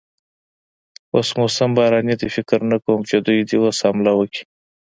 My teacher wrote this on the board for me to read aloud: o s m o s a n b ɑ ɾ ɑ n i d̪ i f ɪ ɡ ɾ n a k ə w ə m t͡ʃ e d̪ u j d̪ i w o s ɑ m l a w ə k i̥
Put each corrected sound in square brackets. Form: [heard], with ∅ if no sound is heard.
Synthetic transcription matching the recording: o s m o s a [m] b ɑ ɾ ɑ n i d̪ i f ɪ [k] ɾ n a k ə w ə m t͡ʃ e d̪ u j d̪ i w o s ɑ m l a w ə k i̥